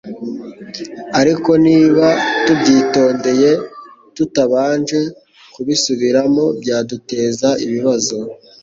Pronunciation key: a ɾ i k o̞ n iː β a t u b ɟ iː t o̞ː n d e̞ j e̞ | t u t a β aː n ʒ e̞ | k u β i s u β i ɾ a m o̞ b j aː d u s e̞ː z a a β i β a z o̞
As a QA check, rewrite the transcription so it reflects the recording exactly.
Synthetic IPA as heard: a ɾ i k o̞ n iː β a t u b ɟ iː t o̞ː n d e̞ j e̞ | t u t a β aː n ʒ e̞ | k u β i s u β i ɾ a m o̞ b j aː d u t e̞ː z a i β i β a z o̞